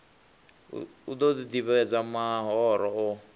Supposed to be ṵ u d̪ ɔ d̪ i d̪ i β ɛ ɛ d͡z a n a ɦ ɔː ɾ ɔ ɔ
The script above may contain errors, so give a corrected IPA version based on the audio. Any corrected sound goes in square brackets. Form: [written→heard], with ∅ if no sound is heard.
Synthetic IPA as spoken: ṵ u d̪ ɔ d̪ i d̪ i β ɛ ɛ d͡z a [n→m] a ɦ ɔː ɾ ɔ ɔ